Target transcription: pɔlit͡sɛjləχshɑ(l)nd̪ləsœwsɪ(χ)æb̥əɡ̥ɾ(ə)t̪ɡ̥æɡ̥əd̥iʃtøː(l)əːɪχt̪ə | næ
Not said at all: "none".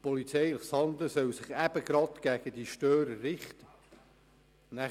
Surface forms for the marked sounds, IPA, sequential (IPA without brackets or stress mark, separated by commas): none, χ, ɑ, ɾ